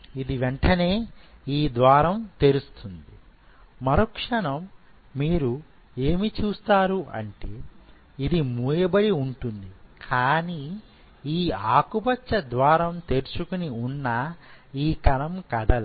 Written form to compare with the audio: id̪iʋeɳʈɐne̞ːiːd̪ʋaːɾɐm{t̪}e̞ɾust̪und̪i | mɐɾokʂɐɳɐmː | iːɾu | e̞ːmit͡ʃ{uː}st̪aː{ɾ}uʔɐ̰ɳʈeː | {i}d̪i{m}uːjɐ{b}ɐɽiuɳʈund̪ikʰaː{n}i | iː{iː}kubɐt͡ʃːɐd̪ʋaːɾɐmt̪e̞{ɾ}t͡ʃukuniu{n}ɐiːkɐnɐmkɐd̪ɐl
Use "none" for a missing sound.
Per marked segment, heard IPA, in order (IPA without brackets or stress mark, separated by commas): t̪, uː, ɾ, i, m, b, n, aː, ɾ, nː